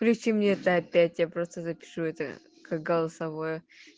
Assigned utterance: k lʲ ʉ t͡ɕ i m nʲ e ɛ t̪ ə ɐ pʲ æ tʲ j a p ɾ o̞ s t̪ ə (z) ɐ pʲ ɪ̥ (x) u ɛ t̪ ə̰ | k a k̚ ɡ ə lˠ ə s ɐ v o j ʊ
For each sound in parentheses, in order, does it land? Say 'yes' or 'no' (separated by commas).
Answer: yes, no